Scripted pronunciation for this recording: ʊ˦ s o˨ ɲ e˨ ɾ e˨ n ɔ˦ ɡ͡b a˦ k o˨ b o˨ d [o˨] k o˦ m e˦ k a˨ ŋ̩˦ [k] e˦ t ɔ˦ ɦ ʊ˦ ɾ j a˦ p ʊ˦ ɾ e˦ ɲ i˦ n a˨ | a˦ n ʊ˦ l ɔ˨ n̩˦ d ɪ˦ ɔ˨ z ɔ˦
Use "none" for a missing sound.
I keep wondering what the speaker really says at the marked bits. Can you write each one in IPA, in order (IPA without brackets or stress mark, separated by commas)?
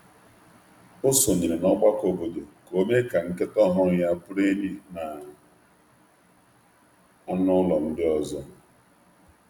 o˨, k